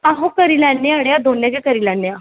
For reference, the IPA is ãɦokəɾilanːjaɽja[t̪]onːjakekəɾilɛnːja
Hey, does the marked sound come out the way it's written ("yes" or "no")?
no